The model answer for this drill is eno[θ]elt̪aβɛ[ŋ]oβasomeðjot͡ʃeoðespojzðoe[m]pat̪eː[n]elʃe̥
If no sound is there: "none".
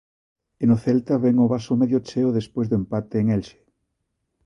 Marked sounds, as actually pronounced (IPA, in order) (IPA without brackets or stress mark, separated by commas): θ, ŋ, m, ŋ